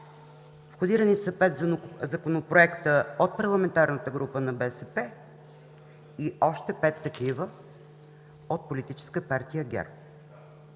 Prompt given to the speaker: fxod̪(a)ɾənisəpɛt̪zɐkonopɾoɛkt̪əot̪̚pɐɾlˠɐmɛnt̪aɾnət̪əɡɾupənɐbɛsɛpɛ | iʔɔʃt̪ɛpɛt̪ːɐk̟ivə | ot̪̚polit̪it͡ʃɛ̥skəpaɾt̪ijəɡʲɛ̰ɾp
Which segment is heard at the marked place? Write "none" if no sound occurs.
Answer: i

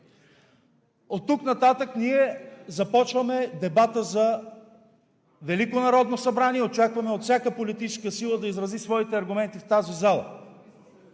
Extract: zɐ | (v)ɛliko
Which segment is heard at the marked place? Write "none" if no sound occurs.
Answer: v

